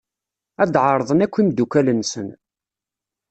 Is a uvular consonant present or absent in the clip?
absent